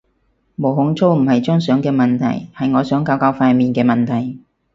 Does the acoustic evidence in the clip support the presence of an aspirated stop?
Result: yes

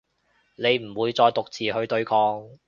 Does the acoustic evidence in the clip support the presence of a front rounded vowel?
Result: no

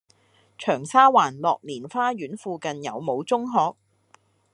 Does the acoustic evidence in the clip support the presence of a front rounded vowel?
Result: yes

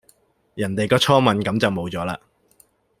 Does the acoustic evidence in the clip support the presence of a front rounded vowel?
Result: no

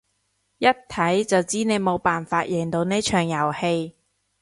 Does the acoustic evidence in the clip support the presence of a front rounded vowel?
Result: yes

